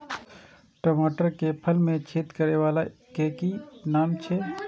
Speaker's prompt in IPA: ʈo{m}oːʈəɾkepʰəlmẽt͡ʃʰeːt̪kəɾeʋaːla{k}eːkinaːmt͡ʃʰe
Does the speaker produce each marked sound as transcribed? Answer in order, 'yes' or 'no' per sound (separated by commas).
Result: yes, yes